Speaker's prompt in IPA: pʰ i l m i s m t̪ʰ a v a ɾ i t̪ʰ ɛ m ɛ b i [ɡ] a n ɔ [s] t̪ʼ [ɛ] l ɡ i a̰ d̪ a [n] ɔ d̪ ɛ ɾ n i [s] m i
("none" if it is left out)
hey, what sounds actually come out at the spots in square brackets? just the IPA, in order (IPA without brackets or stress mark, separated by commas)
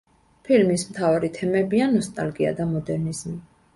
none, s, a, m, z